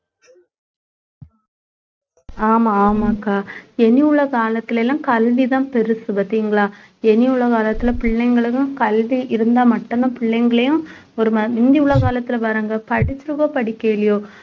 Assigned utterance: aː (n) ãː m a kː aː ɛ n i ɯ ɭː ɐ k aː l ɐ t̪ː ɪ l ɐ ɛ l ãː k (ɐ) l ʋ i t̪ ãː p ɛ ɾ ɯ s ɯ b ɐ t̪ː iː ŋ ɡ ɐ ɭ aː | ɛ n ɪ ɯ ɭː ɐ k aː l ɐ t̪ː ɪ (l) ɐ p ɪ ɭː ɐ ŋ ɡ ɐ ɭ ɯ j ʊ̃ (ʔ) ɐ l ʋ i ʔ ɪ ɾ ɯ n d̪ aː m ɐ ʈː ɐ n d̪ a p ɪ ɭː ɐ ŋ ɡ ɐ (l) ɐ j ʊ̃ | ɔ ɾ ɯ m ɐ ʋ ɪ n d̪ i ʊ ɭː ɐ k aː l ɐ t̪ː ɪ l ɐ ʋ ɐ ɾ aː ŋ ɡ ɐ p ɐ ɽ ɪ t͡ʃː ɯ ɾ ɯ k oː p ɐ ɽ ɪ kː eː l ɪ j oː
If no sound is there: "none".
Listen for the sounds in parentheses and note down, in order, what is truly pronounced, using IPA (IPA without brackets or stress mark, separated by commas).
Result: m, ɐ, l, k, ɭ